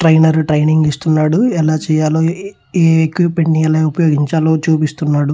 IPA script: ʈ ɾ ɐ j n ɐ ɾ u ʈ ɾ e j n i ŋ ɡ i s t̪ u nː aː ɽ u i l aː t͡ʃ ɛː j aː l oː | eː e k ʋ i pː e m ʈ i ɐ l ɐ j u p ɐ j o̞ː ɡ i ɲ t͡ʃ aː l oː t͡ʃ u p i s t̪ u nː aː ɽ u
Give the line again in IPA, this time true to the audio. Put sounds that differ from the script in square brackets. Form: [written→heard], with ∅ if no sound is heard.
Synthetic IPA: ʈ ɾ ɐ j n ɐ ɾ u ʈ ɾ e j n i ŋ ɡ i s t̪ u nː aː ɽ u [i→ɛ] l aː t͡ʃ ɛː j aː l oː | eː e k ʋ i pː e [m→ɳ] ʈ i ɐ l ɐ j u p ɐ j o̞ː ɡ i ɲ t͡ʃ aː l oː t͡ʃ [u→uː] p i s t̪ u nː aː ɽ u